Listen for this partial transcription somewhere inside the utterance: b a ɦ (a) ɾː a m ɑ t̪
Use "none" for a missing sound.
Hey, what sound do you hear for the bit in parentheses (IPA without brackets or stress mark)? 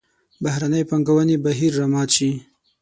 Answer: i